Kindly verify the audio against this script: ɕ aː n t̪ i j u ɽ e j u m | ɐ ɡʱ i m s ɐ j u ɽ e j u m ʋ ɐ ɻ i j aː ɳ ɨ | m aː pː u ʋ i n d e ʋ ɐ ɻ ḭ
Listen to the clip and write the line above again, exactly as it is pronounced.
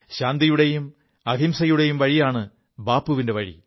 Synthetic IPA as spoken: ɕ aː n d̪ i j u ɽ e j u m | ɐ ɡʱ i m s ɐ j u ɽ e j u m ʋ ɐ ɻ i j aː ɳ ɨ | b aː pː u ʋ i n d e ʋ ɐ ɻ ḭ